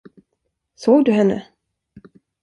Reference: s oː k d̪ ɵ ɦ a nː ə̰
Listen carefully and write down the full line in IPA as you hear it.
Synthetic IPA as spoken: s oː ɡ d̪ ɵ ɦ ɛ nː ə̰